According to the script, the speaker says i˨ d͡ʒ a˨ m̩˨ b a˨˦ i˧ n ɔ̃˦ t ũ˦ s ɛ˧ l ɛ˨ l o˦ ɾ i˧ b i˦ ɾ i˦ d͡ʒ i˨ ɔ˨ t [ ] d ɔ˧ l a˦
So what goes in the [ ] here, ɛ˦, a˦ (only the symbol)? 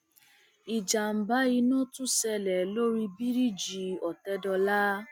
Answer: ɛ˦